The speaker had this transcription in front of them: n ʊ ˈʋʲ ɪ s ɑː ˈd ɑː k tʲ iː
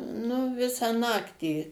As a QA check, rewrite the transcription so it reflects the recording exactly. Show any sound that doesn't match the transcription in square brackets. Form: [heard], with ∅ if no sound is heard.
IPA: n ʊ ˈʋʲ ɪ s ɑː [ˈn] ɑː k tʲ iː